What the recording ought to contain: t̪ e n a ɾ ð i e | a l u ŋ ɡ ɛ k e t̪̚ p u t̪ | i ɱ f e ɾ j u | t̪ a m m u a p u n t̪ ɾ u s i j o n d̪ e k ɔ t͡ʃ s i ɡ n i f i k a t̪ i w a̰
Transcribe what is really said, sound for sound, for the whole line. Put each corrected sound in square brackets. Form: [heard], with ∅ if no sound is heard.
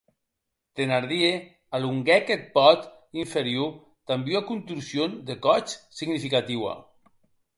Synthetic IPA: t̪ e n a ɾ ð i e | a l u ŋ ɡ ɛ k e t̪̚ p [ɔ] t̪ | i ɱ f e ɾ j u | t̪ a m [b] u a [k] u n t̪ ɾ u s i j o n d̪ e k ɔ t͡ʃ s i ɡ n i f i k a t̪ i w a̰